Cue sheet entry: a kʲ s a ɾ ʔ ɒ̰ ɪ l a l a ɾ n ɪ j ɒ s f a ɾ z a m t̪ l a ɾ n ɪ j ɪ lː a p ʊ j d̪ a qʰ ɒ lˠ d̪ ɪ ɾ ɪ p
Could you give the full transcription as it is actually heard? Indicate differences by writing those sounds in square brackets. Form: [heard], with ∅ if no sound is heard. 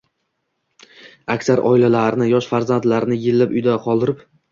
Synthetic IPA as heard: a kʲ s a ɾ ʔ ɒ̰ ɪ l a l a ɾ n ɪ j ɒ [ʃ] f a ɾ z a [n] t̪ l a ɾ n ɪ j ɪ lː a p ʊ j d̪ a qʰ ɒ lˠ d̪ ɪ ɾ ɪ p